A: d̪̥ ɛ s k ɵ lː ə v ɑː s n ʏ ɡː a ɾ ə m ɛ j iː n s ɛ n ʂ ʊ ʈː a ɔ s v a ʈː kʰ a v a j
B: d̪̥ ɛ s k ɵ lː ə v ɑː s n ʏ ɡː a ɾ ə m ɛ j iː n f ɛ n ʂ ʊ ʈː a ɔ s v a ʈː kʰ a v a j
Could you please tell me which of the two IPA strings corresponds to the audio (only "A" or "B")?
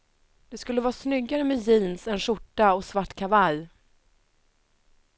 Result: A